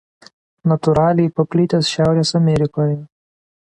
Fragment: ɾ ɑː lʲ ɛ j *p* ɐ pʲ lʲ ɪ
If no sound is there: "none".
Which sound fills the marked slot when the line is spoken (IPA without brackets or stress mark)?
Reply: p